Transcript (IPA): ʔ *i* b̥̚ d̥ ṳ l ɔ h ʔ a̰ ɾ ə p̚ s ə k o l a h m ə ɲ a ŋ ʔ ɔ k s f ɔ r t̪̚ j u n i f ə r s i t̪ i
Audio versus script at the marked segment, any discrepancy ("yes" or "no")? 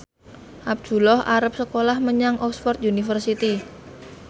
yes